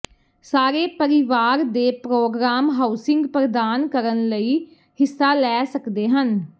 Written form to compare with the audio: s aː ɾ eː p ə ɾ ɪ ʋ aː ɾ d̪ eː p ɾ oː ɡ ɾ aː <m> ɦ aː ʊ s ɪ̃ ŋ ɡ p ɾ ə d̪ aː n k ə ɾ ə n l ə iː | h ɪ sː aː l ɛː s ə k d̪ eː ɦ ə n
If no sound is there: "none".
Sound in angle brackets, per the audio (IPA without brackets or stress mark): m